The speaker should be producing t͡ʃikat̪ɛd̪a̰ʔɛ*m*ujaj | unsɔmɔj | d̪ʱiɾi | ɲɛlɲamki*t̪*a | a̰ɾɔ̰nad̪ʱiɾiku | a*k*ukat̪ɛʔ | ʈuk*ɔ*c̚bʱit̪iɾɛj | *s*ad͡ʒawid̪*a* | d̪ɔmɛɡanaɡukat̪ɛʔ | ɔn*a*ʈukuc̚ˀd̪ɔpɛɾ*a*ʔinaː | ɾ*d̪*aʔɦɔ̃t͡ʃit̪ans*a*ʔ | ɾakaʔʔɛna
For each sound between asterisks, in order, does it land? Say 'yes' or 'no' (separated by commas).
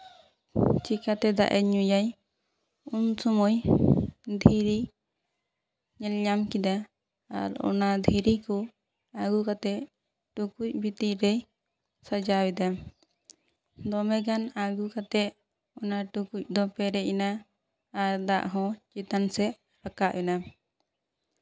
no, no, no, no, yes, yes, yes, no, yes, no